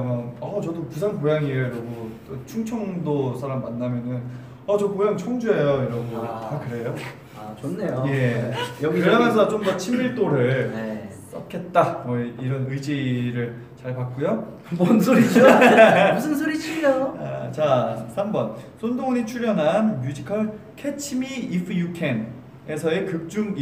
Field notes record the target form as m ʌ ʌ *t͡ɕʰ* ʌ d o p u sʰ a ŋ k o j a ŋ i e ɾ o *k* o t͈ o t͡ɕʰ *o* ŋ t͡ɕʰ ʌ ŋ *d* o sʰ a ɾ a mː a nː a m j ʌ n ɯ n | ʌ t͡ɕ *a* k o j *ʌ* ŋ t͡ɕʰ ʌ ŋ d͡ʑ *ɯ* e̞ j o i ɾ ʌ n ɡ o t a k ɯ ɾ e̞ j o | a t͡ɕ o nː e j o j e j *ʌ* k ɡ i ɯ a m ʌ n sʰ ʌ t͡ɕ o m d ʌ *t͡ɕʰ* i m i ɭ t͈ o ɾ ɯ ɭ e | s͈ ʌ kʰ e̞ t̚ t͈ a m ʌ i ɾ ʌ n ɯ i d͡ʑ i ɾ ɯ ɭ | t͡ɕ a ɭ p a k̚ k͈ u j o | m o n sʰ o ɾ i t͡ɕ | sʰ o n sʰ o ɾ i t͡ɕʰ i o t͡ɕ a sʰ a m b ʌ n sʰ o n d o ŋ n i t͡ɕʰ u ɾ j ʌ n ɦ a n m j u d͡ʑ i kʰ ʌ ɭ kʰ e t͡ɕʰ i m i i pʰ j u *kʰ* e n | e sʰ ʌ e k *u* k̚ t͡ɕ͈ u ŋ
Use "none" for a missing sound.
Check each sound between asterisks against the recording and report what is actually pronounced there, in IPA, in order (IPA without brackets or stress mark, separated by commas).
t͡ɕ, ɡ, u, d, ʌ, a, u, ʌ, t͡ɕʰ, kʰ, ɯ